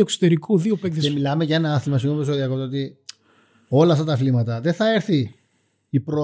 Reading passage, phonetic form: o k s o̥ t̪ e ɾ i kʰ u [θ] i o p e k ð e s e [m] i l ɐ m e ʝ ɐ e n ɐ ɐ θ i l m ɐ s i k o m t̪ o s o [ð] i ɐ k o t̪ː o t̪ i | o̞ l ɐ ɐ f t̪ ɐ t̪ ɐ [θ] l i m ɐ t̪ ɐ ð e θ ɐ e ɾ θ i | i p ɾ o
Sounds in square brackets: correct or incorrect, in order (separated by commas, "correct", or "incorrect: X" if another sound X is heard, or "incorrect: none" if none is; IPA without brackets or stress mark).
incorrect: ð, correct, correct, incorrect: f